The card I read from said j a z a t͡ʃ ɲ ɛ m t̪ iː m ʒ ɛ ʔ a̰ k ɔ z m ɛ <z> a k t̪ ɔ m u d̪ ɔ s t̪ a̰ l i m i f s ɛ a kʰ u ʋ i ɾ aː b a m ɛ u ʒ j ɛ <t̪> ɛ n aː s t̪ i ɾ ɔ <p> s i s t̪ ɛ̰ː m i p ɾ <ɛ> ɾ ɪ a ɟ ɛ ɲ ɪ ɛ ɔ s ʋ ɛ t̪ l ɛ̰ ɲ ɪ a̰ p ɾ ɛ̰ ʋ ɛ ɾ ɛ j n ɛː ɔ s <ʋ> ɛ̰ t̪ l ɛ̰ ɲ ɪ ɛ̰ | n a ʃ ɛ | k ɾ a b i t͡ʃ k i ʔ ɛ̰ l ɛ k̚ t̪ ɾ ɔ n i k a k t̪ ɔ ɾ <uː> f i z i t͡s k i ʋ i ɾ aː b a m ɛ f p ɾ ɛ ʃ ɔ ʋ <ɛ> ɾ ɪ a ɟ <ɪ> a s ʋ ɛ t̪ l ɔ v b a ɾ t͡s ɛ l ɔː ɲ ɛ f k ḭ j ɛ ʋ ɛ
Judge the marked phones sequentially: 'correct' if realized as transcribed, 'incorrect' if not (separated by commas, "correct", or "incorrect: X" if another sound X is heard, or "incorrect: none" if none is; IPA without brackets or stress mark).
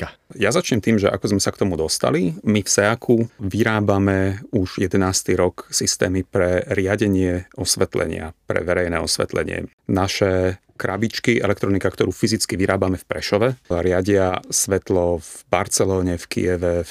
incorrect: s, incorrect: d̪, incorrect: k, correct, correct, correct, correct, correct